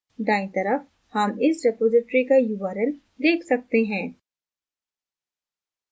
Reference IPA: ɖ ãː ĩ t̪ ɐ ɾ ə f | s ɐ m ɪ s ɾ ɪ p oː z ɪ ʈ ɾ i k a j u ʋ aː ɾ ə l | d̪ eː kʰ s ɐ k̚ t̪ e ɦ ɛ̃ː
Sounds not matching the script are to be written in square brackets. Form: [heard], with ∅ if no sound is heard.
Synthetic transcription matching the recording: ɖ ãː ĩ t̪ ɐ ɾ ə f | [h] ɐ m ɪ s ɾ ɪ p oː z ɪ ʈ ɾ i k a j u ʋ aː ɾ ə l | d̪ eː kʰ s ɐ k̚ t̪ e ɦ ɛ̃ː